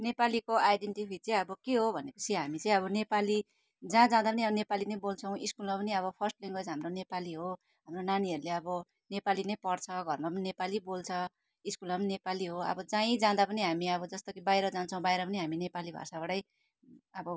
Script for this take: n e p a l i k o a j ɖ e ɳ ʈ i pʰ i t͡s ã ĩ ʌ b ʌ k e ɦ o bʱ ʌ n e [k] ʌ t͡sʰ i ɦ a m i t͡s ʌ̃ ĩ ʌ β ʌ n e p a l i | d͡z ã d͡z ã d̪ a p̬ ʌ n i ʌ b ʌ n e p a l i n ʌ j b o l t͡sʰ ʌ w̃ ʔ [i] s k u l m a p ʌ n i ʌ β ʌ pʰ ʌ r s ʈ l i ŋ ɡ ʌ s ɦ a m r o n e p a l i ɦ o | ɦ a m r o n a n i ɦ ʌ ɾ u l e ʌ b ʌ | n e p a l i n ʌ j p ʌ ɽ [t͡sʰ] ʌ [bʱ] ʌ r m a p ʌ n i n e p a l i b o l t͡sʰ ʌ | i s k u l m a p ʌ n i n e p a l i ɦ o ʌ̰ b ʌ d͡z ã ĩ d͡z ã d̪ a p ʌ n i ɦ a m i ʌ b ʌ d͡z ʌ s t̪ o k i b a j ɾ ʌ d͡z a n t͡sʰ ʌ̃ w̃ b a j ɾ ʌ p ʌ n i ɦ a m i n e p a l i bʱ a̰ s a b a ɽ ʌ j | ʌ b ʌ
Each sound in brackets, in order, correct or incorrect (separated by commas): incorrect, correct, correct, incorrect